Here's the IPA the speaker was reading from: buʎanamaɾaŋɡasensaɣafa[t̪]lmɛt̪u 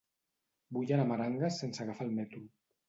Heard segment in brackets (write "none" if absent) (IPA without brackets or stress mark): none